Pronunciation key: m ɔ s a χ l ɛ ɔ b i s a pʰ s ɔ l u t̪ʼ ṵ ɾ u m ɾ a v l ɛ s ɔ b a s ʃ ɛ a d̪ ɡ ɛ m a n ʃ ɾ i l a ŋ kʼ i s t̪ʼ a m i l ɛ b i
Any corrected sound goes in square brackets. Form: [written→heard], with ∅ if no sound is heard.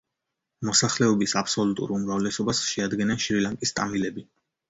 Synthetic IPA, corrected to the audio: m ɔ s a χ l ɛ ɔ b i s a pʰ s ɔ l u t̪ʼ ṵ ɾ u m ɾ a v l ɛ s ɔ b a s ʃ ɛ a d̪ ɡ ɛ [m→n] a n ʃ ɾ i l a ŋ kʼ i s t̪ʼ a m i l ɛ b i